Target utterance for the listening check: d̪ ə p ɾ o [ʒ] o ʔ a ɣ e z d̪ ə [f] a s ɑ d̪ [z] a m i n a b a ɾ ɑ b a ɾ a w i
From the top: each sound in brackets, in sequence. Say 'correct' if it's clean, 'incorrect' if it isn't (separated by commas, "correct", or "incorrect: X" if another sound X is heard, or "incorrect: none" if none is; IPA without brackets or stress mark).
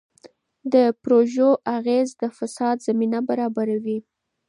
correct, correct, correct